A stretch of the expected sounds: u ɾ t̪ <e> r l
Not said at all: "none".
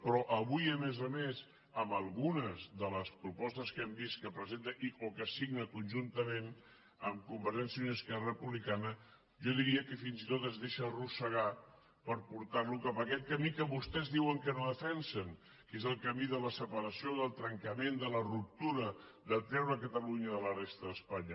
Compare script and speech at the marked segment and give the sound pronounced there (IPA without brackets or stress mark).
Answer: a